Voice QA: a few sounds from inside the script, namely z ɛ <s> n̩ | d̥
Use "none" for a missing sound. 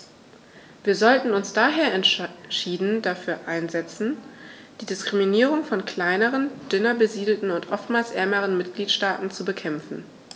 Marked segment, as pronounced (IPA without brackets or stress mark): t͡s